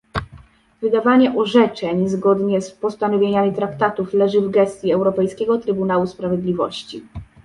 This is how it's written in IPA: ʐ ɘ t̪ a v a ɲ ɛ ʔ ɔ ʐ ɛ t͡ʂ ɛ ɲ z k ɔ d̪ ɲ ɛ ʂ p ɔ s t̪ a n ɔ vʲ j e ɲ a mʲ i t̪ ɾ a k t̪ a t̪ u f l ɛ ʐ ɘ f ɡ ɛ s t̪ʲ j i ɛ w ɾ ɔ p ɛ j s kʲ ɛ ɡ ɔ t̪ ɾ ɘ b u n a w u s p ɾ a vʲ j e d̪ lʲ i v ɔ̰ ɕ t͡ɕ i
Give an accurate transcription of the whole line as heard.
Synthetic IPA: v ɘ d̪ a v a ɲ ɛ ʔ ɔ ʐ ɛ t͡ʂ ɛ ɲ z ɡ ɔ d̪ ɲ ɛ s p ɔ s t̪ a n ɔ vʲ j e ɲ a mʲ i t̪ ɾ a k t̪ a t̪ u f l ɛ ʐ ɘ v ɡ ɛ s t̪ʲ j i ɛ w ɾ ɔ p ɛ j s kʲ ɛ ɡ ɔ t̪ ɾ ɘ b u n a w u s p ɾ a vʲ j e d̪ lʲ i v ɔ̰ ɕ t͡ɕ i

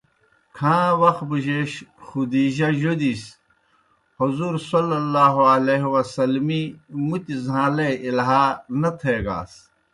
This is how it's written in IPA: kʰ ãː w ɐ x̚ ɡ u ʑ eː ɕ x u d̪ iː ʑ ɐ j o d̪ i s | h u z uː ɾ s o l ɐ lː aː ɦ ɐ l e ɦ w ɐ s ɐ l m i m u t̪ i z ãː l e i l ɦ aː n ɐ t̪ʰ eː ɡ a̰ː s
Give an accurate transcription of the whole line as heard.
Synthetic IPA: kʰ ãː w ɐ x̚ b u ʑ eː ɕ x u d̪ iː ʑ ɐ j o d̪ i s | h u z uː ɾ s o l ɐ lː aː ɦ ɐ l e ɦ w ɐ s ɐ l m i m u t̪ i z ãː l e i l ɦ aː n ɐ t̪ʰ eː ɡ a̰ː s

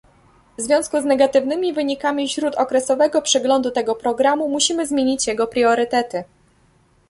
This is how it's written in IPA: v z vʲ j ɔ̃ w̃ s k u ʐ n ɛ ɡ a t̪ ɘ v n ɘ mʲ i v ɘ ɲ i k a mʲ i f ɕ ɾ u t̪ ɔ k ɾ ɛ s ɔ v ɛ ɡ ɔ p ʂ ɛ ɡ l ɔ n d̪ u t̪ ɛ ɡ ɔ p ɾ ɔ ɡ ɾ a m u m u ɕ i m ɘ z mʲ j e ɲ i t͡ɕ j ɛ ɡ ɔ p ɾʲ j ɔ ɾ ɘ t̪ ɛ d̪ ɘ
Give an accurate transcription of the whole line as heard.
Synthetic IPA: v z vʲ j ɔ̃ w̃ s k u z n ɛ ɡ a t̪ ɘ v n ɘ mʲ i v ɘ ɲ i k a mʲ i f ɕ ɾ u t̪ ɔ k ɾ ɛ s ɔ v ɛ ɡ ɔ p ʂ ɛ ɡ l ɔ n d̪ u t̪ ɛ ɡ ɔ p ɾ ɔ ɡ ɾ a m u m u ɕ i m ɘ z mʲ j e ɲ i t͡ɕ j ɛ ɡ ɔ p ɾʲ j ɔ ɾ ɘ t̪ ɛ t̪ ɘ

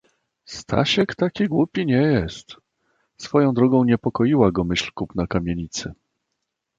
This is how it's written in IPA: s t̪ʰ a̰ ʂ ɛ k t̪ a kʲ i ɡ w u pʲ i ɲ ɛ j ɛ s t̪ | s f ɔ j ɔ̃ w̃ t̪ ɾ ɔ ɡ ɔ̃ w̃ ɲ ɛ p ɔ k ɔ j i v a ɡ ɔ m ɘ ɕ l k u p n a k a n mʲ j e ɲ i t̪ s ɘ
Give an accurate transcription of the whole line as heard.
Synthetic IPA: s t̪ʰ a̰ ɕ ɛ k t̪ a kʲ i ɡ w u pʲ i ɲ ɛ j ɛ s t̪ | s f ɔ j ɔ̃ w̃ d̪ ɾ ɔ ɡ ɔ̃ w̃ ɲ ɛ p ɔ k ɔ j i w a ɡ ɔ m ɘ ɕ l k u p n a k a mʲ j e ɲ i t̪ s ɘ

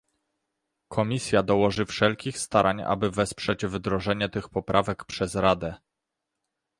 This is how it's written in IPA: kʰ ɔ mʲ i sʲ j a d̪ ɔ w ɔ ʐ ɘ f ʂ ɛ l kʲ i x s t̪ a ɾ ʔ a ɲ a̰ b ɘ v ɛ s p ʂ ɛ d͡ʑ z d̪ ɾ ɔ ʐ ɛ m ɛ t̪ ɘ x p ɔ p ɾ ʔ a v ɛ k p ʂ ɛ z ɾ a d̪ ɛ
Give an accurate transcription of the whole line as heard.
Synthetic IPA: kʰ ɔ mʲ i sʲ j a d̪ ɔ w ɔ ʐ ɘ f ʂ ɛ l kʲ i x s t̪ a ɾ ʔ a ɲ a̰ b ɘ v ɛ s p ʂ ɛ d͡ʑ v d̪ ɾ ɔ ʐ ɛ ɲ ɛ t̪ ɘ x p ɔ p ɾ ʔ a v ɛ k p ʂ ɛ z ɾ a d̪ ɛ

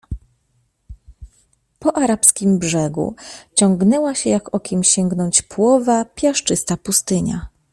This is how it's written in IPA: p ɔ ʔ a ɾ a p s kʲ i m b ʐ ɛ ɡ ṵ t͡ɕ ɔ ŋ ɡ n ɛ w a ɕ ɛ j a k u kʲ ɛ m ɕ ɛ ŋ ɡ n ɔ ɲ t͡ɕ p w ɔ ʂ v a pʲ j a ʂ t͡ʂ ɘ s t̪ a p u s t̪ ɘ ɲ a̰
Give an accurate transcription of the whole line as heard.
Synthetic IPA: p ɔ ʔ a ɾ a p s kʲ i m b ʐ ɛ ɡ ṵ t͡ɕ ɔ ŋ ɡ n ɛ w a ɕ ɛ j a k ɔ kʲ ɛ m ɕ ɛ ŋ ɡ n ɔ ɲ t͡ɕ p w ɔ v a pʲ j a ʂ t͡ʂ ɘ s t̪ a p u s t̪ ɘ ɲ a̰

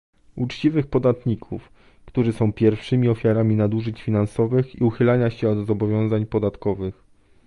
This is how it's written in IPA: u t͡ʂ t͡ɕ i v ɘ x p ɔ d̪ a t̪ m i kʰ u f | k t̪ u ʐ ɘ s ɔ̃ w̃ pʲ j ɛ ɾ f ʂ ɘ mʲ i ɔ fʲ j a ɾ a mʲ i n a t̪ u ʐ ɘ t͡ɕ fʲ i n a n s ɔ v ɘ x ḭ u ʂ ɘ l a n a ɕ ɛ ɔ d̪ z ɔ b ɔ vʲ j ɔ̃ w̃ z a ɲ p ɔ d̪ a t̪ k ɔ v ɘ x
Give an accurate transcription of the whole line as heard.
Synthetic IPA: u t͡ʂ t͡ɕ i v ɘ x p ɔ d̪ a t̪ ɲ i kʰ u f | k t̪ u ʐ ɘ s ɔ̃ w̃ pʲ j ɛ ɾ f ʂ ɘ mʲ i ɔ fʲ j a ɾ a mʲ i n a d̪ u ʐ ɘ t͡ɕ fʲ i n a n s ɔ v ɘ x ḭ u x ɘ l a ɲ a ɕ ɛ ɔ d̪ z ɔ b ɔ vʲ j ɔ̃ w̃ z a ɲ p ɔ d̪ a t̪ k ɔ v ɘ x

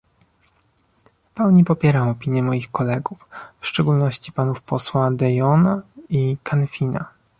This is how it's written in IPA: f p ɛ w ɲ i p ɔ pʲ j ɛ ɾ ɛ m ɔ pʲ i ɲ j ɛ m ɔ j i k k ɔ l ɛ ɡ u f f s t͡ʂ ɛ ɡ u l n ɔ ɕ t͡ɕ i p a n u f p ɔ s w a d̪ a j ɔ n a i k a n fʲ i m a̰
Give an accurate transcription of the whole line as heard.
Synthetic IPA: f p ɛ w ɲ i p ɔ pʲ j ɛ ɾ a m ɔ pʲ i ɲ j ɛ m ɔ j i x k ɔ l ɛ ɡ u f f ʂ t͡ʂ ɛ ɡ u l n ɔ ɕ t͡ɕ i p a n u f p ɔ s w a d̪ ɛ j ɔ n a i k a n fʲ i n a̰

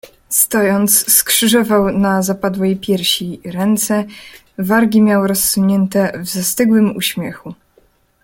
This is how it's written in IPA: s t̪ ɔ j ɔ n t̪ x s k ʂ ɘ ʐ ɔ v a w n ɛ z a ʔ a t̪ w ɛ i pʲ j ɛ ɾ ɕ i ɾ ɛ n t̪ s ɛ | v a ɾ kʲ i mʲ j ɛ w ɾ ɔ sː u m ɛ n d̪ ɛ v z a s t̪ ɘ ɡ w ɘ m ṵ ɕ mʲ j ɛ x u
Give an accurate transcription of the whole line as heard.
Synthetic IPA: s t̪ ɔ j ɔ n t̪ s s k ʂ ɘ ʐ ɔ v a w n a z a p a d̪ w ɛ j pʲ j ɛ ɾ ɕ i ɾ ɛ n t̪ s ɛ | v a ɾ ɡʲ i mʲ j a w ɾ ɔ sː u ɲ ɛ n t̪ ɛ v z a s t̪ ɘ ɡ w ɘ m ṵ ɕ mʲ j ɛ x u

